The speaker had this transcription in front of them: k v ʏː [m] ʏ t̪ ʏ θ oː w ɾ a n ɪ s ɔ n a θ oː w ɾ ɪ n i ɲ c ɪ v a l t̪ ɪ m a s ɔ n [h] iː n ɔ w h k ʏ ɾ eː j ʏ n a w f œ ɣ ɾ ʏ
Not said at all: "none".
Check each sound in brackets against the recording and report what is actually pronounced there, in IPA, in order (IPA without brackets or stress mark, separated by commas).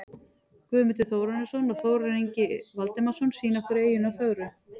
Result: m, s